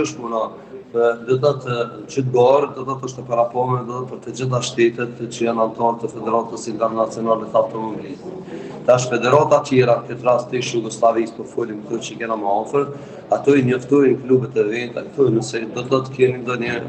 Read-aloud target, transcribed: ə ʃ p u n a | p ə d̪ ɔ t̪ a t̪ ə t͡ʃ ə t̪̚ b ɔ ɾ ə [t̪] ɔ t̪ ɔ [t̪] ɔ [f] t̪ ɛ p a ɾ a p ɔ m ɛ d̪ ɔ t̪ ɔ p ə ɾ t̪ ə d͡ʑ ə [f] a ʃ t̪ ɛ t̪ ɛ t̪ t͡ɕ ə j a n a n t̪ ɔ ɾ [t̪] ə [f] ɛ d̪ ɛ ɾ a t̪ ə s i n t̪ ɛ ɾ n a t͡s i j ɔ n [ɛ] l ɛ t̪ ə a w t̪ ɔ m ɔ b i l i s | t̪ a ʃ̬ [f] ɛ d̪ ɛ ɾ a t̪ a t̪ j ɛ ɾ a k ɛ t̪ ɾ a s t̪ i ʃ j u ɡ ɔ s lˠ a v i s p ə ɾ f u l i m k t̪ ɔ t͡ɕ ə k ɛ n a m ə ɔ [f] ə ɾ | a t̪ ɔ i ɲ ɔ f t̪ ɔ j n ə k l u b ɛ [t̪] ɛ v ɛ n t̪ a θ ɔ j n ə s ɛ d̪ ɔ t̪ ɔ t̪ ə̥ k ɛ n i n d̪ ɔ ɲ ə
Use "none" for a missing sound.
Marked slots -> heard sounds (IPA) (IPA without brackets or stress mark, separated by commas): d̪, t̪, ʃ, θ, t̪, f, a, f, f, t̪